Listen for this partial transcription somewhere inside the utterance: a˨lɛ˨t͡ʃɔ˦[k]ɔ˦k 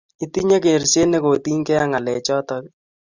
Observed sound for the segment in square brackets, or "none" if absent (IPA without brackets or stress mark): t